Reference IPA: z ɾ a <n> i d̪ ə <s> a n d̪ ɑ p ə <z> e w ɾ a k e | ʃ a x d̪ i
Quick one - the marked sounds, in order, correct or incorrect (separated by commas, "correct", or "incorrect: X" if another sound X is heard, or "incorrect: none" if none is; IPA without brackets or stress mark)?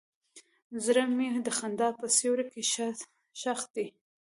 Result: incorrect: m, incorrect: x, incorrect: s